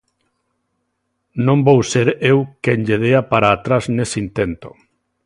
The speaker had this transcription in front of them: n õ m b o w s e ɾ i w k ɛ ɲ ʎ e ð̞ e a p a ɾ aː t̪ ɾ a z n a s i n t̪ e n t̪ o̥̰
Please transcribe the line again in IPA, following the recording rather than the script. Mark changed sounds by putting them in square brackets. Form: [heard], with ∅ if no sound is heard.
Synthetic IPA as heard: n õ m b o w s e ɾ [e] w k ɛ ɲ ʎ e ð̞ e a p a ɾ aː t̪ ɾ a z n [e] s i n t̪ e n t̪ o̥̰